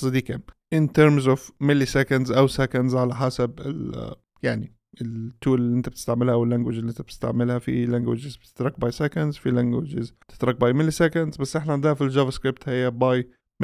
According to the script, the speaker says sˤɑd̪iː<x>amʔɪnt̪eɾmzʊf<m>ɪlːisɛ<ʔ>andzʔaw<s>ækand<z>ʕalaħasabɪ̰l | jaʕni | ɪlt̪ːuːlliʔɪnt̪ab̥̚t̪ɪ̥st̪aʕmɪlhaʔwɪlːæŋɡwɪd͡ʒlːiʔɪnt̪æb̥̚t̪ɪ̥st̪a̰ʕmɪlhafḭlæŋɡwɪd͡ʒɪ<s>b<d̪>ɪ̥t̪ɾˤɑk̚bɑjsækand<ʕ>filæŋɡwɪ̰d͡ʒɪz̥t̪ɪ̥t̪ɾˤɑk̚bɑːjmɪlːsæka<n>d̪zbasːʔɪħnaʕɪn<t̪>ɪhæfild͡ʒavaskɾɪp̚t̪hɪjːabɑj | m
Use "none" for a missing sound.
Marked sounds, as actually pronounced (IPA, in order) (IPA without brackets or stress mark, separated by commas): k, m, k, s, z, z, t̪, z, n, d̪